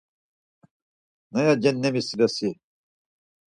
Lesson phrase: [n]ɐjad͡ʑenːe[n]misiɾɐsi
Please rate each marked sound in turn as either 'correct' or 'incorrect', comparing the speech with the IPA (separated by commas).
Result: correct, incorrect